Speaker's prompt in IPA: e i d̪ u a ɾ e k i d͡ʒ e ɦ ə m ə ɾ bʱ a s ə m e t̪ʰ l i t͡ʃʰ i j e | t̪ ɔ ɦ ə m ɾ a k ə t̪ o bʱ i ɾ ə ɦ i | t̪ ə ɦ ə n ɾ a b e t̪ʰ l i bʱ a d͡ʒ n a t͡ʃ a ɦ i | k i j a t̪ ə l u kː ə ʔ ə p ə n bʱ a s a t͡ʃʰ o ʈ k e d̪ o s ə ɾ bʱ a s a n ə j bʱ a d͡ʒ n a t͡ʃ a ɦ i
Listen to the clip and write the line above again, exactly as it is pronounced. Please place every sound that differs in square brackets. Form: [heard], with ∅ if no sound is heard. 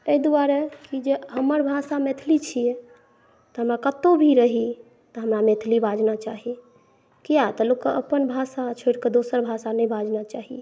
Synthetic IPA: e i d̪ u a ɾ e k i d͡ʒ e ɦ ə m ə ɾ bʱ a s [a] m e t̪ʰ l i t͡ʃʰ i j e | t̪ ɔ ɦ ə m ɾ a k ə t̪ o bʱ i ɾ ə ɦ i | t̪ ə ɦ ə [m] ɾ a [m] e t̪ʰ l i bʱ a d͡ʒ n a t͡ʃ a ɦ i | k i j a t̪ ə l u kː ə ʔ ə p ə n bʱ a s a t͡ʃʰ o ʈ k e d̪ o s ə ɾ bʱ a s a n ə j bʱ a d͡ʒ n a t͡ʃ a ɦ i